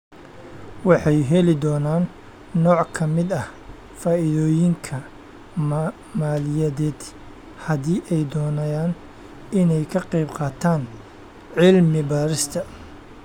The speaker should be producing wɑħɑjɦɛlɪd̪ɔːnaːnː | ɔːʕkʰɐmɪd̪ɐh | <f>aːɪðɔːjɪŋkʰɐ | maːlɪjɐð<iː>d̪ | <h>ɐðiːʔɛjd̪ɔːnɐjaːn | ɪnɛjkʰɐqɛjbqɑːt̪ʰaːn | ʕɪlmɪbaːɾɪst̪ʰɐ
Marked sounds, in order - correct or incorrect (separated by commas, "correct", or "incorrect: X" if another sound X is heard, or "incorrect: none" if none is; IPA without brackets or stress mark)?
correct, incorrect: ɛː, correct